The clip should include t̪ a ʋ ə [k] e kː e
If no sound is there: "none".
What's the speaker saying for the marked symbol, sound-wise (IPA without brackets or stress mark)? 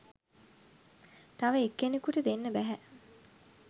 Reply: none